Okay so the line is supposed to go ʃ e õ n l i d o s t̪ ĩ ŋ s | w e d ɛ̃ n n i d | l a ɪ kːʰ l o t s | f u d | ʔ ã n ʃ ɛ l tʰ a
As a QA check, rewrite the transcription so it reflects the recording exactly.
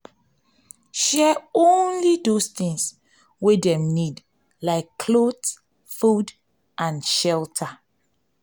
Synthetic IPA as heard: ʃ ɛ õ n l i d o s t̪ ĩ ŋ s | w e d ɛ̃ m n i d | l a ɪ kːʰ l o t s | f u d | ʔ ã n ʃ ɛ l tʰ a